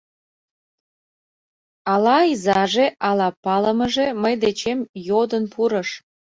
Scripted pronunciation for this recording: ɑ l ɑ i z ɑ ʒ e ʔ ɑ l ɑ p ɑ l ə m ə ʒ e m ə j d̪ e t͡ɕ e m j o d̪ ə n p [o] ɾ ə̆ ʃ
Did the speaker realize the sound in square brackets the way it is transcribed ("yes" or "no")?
no